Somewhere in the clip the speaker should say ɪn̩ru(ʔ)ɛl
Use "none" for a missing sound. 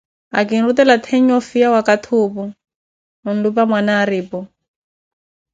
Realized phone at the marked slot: t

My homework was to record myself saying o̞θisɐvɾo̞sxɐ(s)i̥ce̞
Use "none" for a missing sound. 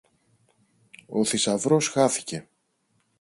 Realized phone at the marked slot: θ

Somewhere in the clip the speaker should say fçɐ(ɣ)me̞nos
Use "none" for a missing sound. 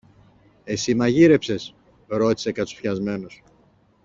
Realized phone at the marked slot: z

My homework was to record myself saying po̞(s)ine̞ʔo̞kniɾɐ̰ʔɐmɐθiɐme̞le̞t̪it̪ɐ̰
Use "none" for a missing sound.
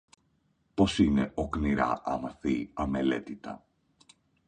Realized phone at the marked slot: s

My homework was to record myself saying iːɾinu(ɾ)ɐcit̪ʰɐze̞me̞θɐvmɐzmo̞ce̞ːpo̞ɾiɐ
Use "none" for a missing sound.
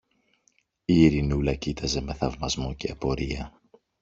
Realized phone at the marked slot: l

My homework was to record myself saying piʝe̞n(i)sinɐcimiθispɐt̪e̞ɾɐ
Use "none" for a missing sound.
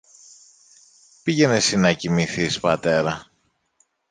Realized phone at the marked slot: e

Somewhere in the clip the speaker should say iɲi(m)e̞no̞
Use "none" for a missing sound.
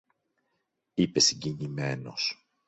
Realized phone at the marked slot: m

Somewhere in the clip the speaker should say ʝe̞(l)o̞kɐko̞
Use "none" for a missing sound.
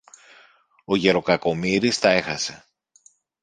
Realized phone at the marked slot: ɾ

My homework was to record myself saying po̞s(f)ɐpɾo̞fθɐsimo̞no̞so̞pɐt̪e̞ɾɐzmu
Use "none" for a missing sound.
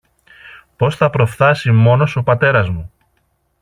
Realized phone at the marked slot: θ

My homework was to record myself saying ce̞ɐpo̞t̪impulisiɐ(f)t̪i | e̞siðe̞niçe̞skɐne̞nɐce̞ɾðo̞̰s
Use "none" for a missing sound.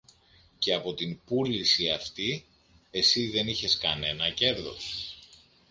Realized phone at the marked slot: f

